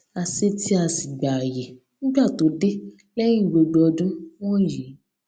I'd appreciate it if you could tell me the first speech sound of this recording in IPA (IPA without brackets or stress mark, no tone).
a